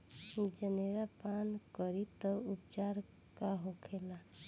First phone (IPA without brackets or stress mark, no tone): d͡ʒ